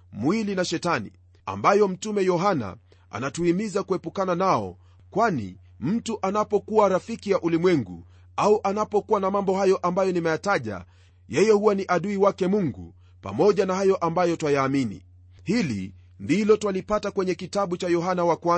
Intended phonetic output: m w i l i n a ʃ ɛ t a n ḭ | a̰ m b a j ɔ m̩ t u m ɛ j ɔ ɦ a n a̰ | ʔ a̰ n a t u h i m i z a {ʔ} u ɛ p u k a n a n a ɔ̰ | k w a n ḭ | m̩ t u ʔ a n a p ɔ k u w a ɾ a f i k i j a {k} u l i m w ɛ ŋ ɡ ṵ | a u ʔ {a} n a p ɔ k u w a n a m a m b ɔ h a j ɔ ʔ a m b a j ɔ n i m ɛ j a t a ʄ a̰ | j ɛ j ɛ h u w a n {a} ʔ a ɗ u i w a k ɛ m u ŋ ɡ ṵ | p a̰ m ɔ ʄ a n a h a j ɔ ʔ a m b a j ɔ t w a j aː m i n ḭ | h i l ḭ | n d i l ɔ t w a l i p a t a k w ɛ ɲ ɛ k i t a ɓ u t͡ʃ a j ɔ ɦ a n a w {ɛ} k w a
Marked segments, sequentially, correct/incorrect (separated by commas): incorrect, incorrect, correct, incorrect, incorrect